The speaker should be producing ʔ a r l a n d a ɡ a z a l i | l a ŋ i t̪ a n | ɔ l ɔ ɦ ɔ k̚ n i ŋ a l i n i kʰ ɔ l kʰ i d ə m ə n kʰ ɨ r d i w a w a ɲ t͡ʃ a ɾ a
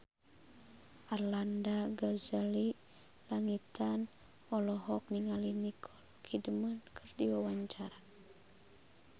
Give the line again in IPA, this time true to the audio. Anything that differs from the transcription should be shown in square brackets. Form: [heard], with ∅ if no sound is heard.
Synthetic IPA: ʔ a r l a n d a ɡ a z a l i | l a ŋ i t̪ a n | ɔ l ɔ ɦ ɔ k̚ n i ŋ a l i n i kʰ ɔ l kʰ i d ə m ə n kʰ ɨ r d i w a w a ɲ t͡ʃ a ɾ a